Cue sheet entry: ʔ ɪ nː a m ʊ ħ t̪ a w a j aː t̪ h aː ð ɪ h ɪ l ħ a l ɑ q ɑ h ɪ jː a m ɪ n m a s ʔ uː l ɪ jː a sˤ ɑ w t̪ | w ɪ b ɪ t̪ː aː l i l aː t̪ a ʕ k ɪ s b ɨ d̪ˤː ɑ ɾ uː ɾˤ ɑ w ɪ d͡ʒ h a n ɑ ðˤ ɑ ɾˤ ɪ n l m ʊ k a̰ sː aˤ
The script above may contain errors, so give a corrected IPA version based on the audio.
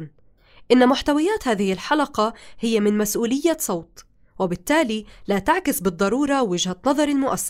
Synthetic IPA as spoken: ʔ ɪ nː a m ʊ ħ t̪ a w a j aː t̪ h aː ð ɪ h ɪ l ħ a l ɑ q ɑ h ɪ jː a m ɪ n m a s ʔ uː l ɪ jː a sˤ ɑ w t̪ | w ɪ b ɪ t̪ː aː l i l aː t̪ a ʕ k ɪ s b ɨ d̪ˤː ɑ ɾ uː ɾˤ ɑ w ɪ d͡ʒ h a n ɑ ðˤ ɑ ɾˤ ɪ l m ʊ ʔ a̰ sː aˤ